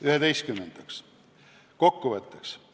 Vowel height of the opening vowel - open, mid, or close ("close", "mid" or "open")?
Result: close